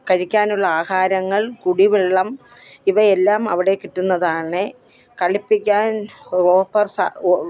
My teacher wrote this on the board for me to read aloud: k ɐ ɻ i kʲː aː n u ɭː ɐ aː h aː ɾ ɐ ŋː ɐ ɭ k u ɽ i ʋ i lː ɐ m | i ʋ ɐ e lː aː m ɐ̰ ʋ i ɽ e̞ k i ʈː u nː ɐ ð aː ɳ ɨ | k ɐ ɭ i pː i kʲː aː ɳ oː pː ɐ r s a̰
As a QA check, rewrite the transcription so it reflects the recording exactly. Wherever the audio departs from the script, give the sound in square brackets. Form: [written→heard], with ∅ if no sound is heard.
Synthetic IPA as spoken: k ɐ ɻ i kʲː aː n u ɭː ɐ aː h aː ɾ ɐ ŋː ɐ ɭ k u ɽ i ʋ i [lː→ɭː] ɐ m | i ʋ ɐ e lː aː m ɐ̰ ʋ i ɽ e̞ k i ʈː u nː ɐ ð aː ɳ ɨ | k ɐ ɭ i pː i kʲː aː [ɳ→n] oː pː ɐ r s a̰

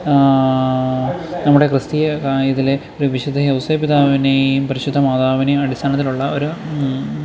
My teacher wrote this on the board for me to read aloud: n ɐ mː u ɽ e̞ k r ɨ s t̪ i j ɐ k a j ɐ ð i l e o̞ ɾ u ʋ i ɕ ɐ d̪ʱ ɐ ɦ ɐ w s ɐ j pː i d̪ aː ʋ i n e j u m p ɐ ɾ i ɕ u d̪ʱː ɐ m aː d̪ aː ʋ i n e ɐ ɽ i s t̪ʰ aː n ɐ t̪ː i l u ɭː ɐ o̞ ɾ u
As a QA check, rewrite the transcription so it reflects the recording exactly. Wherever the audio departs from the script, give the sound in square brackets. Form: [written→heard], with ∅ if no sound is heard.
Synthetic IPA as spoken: n ɐ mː u ɽ e̞ k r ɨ s t̪ i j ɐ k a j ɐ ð i l e o̞ ɾ u ʋ i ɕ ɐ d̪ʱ ɐ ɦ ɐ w s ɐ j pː i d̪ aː ʋ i n e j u m p ɐ ɾ i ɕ u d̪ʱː ɐ m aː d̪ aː ʋ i n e ɐ ɽ i s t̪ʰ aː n ɐ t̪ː i l u ɭː ɐ o̞ ɾ u

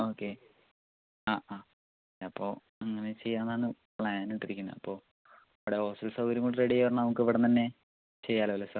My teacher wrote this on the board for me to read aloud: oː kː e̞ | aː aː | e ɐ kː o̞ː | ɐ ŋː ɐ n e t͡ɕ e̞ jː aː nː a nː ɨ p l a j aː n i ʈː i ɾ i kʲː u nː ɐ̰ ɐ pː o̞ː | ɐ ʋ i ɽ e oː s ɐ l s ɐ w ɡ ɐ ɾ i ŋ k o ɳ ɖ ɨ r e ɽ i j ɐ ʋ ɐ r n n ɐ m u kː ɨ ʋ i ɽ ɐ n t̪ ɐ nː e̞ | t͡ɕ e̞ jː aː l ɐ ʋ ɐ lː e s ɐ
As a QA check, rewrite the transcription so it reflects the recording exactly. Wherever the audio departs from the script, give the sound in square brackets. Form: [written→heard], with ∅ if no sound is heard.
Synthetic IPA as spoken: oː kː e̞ | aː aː | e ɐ [kː→pː] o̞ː | ɐ ŋː ɐ n e t͡ɕ e̞ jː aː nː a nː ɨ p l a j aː n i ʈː i ɾ i kʲː u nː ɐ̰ ɐ pː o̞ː | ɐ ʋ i ɽ e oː s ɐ l s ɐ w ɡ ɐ ɾ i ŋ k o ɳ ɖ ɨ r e ɽ i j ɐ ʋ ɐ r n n ɐ m u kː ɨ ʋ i ɽ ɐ n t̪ ɐ nː e̞ | t͡ɕ e̞ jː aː l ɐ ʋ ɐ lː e s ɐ

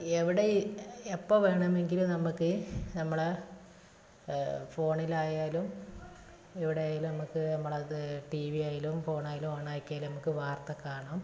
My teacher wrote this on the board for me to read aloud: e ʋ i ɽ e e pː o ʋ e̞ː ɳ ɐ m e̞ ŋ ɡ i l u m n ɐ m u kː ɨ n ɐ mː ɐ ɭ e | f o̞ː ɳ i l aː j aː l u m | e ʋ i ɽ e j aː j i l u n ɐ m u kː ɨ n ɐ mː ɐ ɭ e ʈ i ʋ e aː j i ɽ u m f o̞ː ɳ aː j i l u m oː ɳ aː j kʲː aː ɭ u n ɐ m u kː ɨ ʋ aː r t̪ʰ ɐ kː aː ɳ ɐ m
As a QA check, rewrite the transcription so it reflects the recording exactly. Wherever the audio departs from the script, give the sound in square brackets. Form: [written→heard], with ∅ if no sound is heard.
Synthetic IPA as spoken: e ʋ i ɽ e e pː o ʋ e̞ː ɳ ɐ m e̞ ŋ ɡ i l u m n ɐ m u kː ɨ n ɐ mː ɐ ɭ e | f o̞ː ɳ i l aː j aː l u m | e ʋ i ɽ e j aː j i l u n ɐ m u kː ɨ n ɐ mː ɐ ɭ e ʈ i ʋ [e→i] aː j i [ɽ→l] u m f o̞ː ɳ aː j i l u m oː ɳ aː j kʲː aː [ɭ→l] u n ɐ m u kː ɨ ʋ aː r [t̪ʰ→t̪] ɐ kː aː ɳ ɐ m

